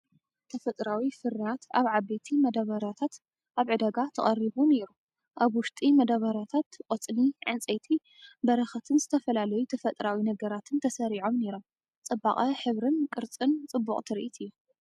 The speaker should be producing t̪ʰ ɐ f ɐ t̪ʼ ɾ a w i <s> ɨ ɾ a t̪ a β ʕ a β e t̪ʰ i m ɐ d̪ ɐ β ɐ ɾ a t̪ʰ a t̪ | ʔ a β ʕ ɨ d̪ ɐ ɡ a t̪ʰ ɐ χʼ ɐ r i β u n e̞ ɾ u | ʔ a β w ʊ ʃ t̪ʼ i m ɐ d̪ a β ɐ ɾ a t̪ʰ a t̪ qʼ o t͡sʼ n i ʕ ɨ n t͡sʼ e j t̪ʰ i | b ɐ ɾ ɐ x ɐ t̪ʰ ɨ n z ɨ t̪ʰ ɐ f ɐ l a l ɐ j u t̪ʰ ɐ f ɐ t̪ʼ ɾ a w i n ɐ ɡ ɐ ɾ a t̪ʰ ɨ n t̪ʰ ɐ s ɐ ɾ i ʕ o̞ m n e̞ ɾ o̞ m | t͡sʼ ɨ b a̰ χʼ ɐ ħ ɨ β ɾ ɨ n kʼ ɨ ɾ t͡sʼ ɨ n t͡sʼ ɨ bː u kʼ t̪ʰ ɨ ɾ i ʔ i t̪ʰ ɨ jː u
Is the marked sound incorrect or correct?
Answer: incorrect: f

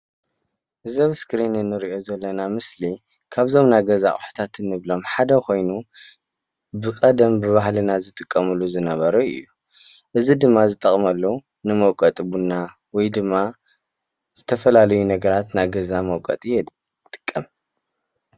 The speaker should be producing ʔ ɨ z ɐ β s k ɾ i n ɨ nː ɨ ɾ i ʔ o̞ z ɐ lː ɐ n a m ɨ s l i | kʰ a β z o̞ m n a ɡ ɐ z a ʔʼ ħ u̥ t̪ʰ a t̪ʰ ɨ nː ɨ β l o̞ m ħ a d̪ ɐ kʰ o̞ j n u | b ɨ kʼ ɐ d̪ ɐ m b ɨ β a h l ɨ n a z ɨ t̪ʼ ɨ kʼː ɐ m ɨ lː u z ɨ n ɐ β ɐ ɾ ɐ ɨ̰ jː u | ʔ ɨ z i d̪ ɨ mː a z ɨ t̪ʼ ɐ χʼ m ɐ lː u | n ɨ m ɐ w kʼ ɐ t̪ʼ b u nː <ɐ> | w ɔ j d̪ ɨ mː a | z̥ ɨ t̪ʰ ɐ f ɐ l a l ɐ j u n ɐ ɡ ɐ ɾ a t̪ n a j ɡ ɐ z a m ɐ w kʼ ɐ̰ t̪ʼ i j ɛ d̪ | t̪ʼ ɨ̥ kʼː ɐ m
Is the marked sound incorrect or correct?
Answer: incorrect: a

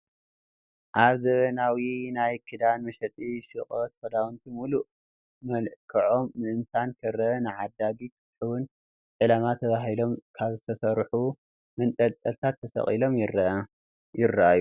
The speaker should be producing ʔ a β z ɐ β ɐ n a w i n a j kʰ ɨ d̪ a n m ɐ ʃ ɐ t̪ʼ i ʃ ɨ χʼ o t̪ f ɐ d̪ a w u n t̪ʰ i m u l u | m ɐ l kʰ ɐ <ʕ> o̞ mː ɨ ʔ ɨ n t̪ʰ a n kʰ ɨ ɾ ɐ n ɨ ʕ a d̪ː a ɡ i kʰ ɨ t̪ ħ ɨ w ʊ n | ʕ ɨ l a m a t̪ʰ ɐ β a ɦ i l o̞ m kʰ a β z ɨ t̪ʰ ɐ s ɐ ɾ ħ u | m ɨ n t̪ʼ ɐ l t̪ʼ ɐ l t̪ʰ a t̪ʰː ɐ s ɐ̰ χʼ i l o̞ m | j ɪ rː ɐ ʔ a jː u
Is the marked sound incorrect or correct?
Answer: correct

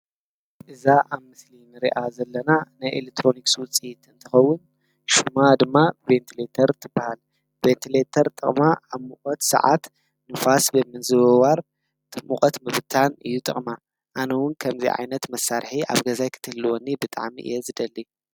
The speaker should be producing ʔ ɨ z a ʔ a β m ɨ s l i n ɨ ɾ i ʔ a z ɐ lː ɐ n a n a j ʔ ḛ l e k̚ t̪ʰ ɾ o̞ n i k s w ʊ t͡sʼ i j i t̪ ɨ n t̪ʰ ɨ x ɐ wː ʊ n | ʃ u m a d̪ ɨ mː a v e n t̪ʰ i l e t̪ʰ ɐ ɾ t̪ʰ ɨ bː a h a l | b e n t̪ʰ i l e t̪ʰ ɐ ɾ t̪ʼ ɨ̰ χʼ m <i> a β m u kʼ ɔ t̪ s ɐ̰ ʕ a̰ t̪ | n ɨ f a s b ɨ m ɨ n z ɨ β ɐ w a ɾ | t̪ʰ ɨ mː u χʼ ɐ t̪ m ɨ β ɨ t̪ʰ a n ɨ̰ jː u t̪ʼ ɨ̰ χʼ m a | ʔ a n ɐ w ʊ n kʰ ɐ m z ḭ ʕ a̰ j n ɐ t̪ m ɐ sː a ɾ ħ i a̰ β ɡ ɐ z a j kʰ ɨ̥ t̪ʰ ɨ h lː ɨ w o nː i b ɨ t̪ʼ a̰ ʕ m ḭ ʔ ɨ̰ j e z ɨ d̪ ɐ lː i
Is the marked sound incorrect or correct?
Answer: incorrect: a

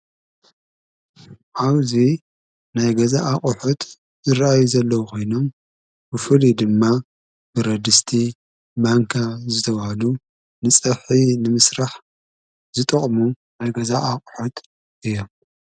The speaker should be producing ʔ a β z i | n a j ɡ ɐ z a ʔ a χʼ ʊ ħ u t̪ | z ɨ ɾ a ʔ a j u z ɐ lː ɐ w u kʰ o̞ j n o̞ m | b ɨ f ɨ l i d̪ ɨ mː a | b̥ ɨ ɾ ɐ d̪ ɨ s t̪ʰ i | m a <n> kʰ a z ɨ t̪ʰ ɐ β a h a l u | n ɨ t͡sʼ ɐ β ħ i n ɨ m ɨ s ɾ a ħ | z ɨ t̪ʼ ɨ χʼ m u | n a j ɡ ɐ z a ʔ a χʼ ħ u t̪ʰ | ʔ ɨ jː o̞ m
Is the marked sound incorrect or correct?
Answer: incorrect: ŋ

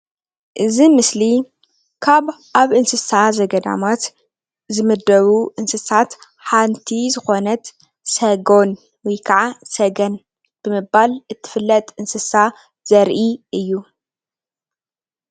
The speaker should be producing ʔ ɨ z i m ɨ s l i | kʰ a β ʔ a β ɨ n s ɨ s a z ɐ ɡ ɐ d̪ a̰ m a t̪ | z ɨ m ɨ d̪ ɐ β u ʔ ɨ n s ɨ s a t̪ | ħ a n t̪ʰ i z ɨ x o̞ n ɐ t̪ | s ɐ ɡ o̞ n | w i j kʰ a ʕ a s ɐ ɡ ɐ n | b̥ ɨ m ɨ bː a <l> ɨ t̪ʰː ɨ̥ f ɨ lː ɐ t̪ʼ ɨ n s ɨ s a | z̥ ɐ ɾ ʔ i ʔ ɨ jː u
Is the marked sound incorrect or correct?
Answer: correct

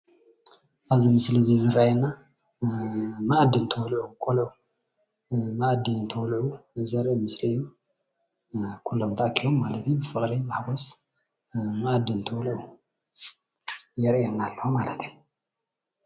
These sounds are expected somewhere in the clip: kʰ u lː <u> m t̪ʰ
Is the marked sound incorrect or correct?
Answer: incorrect: o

